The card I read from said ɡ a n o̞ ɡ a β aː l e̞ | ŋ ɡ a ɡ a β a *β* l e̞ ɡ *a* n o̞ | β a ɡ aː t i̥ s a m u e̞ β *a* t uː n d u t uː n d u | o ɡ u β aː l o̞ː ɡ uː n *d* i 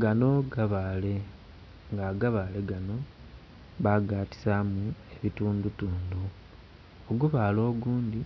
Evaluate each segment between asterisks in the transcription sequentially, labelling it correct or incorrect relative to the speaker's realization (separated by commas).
incorrect, correct, incorrect, correct